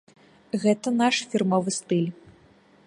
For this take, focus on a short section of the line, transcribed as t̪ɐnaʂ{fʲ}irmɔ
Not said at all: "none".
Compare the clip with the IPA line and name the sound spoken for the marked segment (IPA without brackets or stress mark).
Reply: fʲ